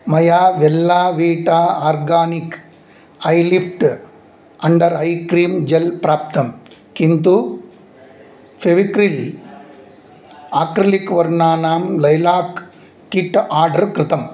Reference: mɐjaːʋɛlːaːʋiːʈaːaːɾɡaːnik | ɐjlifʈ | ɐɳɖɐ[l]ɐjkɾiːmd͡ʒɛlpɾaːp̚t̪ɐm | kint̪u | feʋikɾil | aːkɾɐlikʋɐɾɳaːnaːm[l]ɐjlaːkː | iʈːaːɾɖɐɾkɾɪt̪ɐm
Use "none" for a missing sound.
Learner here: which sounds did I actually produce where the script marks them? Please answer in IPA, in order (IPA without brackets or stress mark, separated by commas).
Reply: ɾ, l